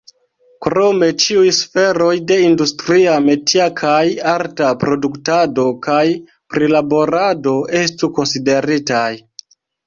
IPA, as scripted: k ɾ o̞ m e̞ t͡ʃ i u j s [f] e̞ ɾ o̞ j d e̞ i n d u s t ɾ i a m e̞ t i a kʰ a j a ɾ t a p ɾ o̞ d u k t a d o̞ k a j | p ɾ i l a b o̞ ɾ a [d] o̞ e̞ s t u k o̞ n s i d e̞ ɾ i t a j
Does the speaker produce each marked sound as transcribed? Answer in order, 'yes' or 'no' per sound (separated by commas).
yes, yes